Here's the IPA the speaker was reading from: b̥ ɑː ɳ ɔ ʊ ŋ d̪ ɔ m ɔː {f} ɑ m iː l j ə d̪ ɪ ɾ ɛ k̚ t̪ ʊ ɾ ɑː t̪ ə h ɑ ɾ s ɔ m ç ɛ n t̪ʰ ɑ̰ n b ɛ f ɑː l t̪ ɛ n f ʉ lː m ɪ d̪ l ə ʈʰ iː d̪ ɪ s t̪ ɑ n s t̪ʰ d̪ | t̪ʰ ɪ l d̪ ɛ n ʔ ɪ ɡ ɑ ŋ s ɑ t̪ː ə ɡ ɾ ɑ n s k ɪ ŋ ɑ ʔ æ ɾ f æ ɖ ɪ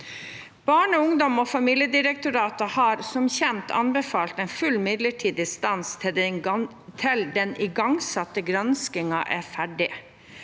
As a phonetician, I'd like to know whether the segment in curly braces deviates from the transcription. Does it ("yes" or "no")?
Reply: no